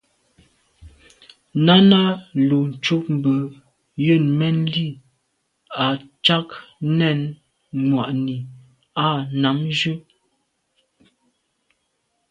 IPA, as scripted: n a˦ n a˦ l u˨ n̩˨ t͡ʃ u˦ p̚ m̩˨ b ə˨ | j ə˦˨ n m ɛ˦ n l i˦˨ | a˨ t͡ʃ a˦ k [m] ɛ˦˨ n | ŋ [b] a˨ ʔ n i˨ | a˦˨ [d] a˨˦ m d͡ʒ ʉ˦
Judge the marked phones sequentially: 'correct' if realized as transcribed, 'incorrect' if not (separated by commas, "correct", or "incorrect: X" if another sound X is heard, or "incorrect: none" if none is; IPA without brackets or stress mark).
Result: incorrect: n, incorrect: w, incorrect: n